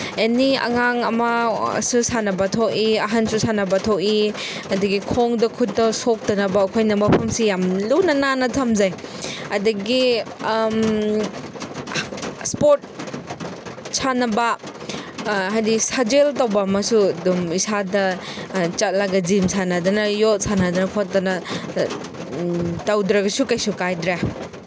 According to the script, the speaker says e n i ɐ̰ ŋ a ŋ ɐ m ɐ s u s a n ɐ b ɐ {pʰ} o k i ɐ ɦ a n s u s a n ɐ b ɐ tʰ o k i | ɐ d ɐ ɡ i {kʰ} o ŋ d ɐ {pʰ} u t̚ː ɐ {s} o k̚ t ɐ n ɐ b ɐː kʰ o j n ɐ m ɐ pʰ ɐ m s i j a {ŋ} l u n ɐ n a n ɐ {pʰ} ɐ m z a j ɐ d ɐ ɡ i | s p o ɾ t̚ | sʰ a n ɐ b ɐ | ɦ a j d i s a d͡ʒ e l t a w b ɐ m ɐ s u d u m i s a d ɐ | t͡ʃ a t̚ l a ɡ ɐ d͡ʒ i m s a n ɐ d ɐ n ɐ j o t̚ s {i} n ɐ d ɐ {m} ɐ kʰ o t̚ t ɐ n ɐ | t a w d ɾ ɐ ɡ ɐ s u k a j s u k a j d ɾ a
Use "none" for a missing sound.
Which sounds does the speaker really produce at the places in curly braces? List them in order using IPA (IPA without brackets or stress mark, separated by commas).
tʰ, kʰ, kʰ, s, m, tʰ, a, n